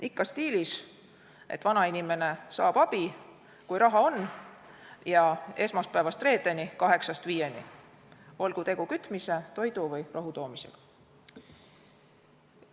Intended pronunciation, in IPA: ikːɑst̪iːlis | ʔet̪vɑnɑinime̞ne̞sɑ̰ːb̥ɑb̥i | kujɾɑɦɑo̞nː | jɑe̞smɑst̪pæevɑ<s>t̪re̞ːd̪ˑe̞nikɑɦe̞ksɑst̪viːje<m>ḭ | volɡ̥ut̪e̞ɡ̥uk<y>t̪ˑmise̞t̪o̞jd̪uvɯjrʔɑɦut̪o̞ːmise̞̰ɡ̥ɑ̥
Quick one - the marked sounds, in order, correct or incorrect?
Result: correct, incorrect, correct

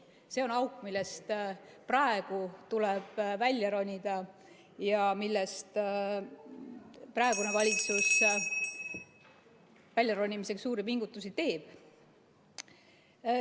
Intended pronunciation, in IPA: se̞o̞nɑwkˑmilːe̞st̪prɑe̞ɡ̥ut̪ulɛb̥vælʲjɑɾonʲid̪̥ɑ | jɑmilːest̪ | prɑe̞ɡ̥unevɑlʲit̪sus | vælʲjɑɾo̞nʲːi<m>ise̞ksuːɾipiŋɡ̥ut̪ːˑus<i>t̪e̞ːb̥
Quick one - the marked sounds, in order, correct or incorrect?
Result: correct, correct

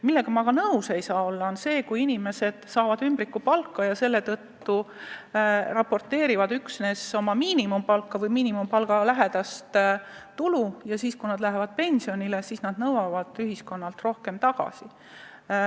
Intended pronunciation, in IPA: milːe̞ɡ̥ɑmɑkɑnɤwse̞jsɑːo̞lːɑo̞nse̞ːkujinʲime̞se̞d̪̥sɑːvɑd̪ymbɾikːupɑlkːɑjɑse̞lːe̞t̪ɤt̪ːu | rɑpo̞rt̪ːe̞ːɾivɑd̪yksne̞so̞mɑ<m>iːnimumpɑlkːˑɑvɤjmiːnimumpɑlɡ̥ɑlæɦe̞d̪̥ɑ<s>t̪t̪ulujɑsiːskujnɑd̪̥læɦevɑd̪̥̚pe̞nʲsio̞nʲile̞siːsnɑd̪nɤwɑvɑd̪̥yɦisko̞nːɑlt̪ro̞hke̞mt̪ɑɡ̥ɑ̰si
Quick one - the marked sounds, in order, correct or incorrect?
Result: correct, correct

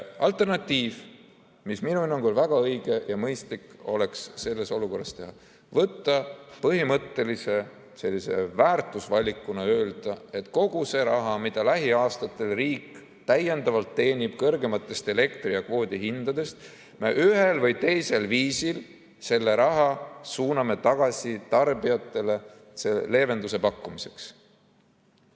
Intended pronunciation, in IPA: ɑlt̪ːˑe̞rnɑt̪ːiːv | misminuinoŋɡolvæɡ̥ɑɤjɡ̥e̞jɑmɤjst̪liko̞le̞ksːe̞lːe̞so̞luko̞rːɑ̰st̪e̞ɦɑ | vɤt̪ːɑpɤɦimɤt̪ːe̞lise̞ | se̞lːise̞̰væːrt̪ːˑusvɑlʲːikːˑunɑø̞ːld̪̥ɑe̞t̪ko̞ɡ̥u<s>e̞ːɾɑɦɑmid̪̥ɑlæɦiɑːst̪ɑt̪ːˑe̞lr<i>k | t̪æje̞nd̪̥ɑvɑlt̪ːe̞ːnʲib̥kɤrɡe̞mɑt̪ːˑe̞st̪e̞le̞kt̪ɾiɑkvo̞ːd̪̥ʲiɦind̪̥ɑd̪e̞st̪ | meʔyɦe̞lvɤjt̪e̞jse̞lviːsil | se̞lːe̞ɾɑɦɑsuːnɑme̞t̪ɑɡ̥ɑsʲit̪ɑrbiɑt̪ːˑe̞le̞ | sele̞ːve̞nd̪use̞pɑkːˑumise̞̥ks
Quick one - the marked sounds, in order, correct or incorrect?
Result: correct, incorrect

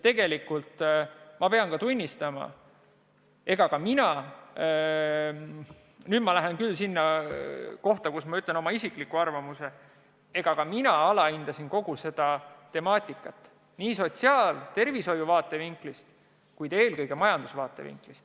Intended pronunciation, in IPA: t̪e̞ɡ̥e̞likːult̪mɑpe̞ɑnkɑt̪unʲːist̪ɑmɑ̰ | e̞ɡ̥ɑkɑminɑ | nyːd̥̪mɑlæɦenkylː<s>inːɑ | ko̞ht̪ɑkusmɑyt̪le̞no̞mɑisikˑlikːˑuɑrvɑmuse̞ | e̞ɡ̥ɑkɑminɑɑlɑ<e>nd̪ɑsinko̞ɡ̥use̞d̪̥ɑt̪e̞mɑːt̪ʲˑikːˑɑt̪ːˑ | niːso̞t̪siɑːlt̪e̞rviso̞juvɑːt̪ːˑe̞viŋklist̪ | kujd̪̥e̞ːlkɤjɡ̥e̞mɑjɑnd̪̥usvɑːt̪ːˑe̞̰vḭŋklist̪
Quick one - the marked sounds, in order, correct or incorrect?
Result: correct, incorrect

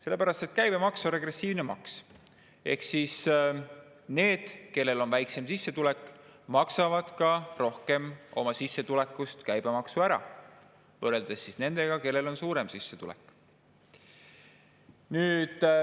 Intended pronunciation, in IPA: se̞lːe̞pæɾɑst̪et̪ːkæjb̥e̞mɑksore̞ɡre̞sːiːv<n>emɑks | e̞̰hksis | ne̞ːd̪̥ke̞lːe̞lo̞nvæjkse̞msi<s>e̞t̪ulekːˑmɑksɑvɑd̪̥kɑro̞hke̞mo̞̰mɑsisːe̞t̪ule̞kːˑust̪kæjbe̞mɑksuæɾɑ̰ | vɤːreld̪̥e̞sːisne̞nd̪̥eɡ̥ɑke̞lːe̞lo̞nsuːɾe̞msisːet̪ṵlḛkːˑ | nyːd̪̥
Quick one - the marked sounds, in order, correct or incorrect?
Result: correct, incorrect

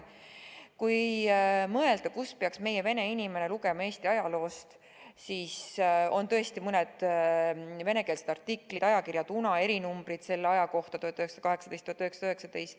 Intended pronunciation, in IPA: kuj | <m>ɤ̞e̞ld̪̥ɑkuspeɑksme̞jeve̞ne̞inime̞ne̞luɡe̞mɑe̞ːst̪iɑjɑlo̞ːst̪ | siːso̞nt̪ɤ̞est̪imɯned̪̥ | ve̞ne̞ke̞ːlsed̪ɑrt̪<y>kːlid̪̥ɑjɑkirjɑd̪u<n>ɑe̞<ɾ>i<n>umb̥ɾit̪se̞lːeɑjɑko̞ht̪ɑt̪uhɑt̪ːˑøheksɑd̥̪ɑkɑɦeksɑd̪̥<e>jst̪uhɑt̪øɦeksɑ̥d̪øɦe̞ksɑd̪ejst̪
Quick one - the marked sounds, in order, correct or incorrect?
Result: correct, incorrect, correct, correct, correct, correct

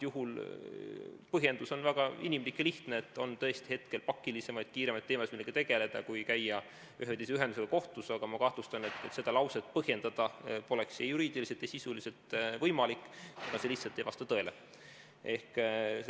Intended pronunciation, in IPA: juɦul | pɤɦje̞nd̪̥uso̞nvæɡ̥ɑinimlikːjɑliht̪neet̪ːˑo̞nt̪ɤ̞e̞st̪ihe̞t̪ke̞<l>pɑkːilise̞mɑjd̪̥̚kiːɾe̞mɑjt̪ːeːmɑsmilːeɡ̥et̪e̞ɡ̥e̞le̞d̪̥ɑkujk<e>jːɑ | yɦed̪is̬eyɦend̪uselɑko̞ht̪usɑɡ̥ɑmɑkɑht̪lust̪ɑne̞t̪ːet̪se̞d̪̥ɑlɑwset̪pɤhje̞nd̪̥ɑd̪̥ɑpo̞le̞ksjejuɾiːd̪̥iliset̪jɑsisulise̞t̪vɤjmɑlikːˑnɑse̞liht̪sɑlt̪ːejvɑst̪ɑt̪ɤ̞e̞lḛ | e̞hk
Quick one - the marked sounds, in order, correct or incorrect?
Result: correct, incorrect

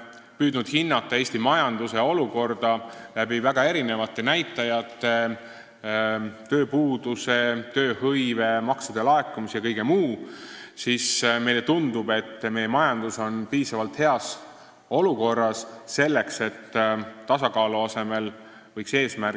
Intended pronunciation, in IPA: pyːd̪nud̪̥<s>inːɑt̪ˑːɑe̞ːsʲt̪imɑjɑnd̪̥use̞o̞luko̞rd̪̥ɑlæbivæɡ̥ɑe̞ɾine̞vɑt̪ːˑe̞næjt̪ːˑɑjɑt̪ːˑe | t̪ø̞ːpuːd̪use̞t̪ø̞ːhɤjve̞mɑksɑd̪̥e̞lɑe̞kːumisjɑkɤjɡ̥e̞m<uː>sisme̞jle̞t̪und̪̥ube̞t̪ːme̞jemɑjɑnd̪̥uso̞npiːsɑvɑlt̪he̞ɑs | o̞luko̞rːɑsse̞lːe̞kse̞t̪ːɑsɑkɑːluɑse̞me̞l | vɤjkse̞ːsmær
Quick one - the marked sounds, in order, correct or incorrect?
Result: incorrect, correct

